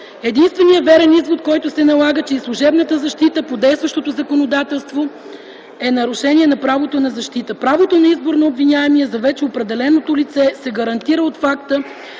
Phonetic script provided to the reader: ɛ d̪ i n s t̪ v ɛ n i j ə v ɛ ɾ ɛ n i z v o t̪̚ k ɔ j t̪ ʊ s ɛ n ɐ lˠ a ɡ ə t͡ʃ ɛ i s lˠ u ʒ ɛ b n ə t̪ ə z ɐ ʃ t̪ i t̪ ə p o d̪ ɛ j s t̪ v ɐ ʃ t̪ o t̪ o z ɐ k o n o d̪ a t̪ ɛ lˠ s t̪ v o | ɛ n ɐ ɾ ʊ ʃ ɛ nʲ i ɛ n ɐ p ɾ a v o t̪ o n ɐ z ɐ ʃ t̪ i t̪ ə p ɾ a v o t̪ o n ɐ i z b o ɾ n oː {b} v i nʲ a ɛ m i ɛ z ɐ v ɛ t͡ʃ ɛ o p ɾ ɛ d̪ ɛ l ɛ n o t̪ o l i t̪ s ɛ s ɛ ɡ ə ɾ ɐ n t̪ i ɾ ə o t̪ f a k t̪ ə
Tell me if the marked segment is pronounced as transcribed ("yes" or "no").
yes